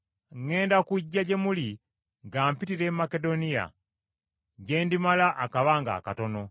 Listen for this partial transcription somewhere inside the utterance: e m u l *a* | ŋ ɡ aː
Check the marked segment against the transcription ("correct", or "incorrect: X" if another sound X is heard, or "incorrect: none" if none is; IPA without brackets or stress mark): incorrect: i